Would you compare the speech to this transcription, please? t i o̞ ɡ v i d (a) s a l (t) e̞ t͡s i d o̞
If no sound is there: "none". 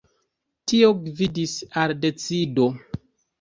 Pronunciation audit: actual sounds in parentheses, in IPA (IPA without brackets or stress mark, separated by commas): i, d